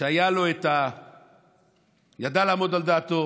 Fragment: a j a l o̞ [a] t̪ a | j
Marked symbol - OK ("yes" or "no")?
no